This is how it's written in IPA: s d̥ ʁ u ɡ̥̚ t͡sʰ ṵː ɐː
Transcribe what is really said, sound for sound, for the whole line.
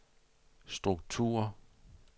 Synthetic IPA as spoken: s d̥ ʁ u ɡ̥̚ t͡sʰ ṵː ɐ